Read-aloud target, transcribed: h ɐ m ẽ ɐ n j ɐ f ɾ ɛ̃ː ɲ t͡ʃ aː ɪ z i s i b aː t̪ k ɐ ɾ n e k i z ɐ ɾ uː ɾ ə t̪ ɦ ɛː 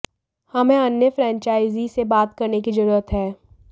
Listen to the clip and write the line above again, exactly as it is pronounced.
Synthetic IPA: h ɐ m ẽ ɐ n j ə f ɾ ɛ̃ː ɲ t͡ʃ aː ɪ z i s e b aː t̪ k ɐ ɾ n e k i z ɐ ɾ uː ɾ ə t̪ ɦ ɛː